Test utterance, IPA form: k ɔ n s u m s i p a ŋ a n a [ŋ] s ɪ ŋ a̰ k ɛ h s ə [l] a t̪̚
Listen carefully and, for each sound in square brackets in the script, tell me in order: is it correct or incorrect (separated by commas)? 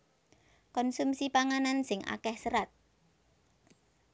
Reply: incorrect, incorrect